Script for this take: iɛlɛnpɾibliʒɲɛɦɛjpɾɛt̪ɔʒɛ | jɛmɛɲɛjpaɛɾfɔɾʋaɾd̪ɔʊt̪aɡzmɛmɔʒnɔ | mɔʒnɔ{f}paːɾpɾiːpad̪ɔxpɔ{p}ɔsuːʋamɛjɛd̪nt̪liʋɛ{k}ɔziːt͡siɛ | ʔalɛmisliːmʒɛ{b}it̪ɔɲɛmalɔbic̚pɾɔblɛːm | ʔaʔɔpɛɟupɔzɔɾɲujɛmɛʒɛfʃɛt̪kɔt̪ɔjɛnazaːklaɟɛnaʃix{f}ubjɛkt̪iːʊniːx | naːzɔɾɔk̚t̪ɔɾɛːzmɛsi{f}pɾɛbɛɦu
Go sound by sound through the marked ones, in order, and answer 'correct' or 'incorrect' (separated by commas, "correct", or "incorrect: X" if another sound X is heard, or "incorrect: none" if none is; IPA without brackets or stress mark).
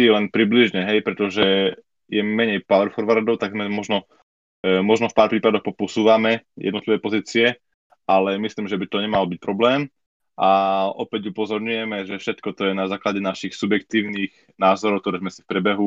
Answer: correct, correct, incorrect: p, correct, incorrect: s, correct